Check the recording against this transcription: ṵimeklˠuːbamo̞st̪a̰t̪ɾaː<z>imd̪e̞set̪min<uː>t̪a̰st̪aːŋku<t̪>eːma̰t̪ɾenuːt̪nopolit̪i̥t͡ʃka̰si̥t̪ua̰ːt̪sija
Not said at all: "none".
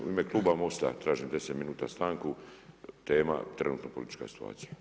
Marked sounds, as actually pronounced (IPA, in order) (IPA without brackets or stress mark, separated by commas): ʒ, uː, t̪